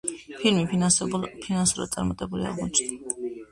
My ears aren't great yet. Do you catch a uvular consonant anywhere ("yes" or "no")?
yes